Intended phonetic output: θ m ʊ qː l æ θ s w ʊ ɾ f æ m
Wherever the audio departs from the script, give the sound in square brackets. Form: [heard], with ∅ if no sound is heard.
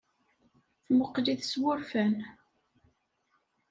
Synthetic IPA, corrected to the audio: θ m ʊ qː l [i] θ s w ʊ ɾ f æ [n]